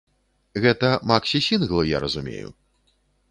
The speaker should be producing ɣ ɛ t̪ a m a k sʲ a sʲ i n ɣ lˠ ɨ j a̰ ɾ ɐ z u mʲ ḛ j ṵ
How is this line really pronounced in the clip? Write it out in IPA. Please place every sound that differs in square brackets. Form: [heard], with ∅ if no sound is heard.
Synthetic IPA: ɣ ɛ t̪ [ɐ] m a k sʲ [i] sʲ i n ɣ lˠ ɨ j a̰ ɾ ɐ z u mʲ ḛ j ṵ